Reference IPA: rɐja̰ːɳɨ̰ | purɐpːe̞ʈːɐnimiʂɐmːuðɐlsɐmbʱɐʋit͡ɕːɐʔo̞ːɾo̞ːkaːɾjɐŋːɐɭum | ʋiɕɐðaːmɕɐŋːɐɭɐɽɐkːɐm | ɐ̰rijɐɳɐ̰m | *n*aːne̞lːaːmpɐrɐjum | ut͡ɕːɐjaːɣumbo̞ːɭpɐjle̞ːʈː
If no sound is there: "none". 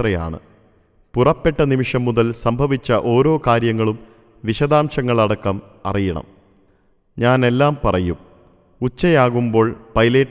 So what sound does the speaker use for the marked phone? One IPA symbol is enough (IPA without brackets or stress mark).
ɲ